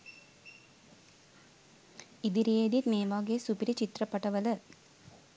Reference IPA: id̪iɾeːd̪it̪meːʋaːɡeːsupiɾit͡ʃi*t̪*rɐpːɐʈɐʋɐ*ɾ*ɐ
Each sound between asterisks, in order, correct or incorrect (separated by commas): correct, incorrect